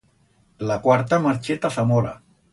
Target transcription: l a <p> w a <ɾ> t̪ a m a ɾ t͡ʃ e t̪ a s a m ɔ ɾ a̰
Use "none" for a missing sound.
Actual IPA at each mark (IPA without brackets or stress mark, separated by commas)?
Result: k, ɾ